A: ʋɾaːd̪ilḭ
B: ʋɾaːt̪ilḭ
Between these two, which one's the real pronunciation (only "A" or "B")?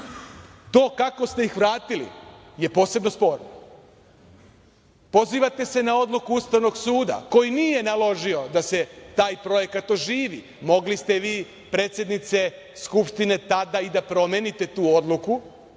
B